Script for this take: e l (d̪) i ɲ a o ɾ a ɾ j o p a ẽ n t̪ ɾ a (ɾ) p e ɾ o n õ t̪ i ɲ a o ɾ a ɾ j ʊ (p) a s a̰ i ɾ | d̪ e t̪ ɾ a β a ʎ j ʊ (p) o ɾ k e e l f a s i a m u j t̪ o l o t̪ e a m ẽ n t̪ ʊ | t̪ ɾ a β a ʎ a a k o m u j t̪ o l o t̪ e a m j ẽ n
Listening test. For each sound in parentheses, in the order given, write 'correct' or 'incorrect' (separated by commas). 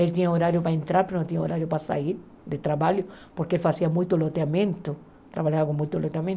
incorrect, correct, correct, correct